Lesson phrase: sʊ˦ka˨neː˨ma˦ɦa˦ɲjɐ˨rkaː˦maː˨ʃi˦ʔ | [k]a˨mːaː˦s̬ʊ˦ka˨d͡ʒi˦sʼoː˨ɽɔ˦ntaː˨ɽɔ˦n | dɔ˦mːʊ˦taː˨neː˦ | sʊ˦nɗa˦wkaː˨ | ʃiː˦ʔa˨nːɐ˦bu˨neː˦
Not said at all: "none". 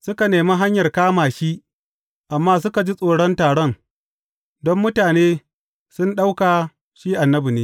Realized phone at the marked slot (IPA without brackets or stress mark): ʔ